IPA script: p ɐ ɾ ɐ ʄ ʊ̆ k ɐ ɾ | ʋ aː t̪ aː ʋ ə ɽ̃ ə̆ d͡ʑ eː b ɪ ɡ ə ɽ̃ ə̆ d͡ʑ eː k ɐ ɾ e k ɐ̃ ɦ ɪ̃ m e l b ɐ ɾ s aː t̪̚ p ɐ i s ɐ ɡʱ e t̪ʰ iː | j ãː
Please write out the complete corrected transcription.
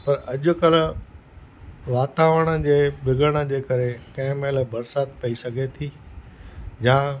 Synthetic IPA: p ɐ ɾ ɐ ʄ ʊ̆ k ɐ l | ʋ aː t̪ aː ʋ ə ɽ̃ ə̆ d͡ʑ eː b ɪ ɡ ə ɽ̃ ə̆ d͡ʑ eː k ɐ ɾ e k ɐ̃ ɦ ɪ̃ m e l b ɐ ɾ s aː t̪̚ p ɐ i s ɐ ɡʱ e t̪ʰ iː | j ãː